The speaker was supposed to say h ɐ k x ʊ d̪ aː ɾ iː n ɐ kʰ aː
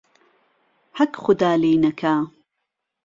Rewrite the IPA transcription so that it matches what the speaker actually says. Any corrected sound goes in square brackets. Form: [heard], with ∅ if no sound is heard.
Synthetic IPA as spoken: h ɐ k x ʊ d̪ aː [l] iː n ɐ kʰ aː